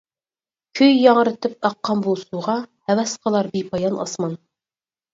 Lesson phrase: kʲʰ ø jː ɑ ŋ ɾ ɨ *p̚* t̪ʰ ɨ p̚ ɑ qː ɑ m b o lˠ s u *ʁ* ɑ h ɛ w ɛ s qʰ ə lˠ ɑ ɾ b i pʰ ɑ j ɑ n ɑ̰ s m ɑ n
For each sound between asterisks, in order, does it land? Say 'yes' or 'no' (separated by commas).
no, yes